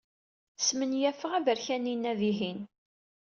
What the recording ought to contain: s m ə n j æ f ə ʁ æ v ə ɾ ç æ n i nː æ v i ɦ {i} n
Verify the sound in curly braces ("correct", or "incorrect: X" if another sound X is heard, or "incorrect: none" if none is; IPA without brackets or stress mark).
correct